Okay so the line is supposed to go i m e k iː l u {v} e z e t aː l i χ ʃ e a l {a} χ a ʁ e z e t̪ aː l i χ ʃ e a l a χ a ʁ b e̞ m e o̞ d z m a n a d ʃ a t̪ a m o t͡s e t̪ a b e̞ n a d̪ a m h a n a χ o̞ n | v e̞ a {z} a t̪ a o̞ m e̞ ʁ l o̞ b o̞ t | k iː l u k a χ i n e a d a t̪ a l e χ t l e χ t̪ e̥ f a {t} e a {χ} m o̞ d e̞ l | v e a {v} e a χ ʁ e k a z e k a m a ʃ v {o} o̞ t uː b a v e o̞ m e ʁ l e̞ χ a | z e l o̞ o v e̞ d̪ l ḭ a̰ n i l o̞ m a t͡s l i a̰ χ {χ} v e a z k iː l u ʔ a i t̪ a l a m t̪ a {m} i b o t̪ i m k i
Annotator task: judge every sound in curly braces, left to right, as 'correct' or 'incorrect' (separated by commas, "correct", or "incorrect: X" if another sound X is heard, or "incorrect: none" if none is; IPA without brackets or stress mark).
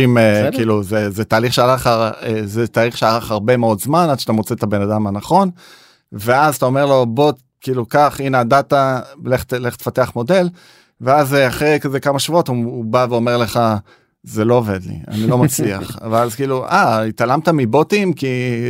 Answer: incorrect: z, correct, correct, correct, correct, incorrect: z, incorrect: u, correct, correct